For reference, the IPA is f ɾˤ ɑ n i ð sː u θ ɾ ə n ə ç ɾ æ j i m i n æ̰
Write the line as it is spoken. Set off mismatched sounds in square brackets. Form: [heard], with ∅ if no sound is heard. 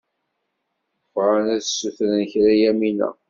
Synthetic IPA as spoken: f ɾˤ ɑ n [æ] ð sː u θ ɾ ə n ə ç ɾ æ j [æ] m i n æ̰